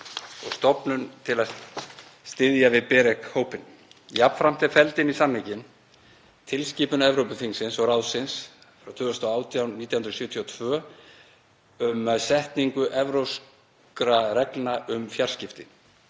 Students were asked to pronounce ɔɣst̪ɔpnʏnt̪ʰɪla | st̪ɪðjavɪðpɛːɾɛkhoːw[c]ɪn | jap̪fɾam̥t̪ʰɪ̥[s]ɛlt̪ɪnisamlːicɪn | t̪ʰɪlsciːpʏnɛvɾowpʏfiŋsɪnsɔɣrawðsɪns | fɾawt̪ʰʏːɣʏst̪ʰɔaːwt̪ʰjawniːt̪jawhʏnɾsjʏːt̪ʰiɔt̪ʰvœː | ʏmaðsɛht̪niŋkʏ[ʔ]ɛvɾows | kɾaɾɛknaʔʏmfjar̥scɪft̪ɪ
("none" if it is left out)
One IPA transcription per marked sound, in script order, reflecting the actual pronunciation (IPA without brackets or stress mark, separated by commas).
p, f, ʔ